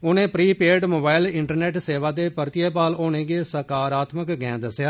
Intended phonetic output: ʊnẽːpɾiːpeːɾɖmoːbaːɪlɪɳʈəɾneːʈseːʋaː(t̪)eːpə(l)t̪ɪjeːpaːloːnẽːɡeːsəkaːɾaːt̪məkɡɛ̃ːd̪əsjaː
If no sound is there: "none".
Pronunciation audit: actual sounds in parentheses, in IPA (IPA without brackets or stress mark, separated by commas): d̪, ɾ